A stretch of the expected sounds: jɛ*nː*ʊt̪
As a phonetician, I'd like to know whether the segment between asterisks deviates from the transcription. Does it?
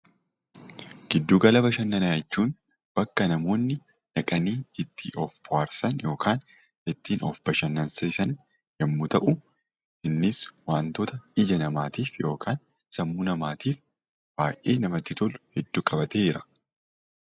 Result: yes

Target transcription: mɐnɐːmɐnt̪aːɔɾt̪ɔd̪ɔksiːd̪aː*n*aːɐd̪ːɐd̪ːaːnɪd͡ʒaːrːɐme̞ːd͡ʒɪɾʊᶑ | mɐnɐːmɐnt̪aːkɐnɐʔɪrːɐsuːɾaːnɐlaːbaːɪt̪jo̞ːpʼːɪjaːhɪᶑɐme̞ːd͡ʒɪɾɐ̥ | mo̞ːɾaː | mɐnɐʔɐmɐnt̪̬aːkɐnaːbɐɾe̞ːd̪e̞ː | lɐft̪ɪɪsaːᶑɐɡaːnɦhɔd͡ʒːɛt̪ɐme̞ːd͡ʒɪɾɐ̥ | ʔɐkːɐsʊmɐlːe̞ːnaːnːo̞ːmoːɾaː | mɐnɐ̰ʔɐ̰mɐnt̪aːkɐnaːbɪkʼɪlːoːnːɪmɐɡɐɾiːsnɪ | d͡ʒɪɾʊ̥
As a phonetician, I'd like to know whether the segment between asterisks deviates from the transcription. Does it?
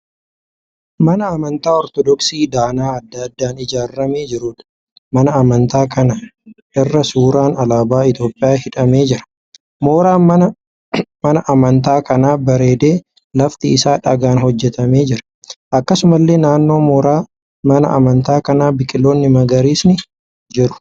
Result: no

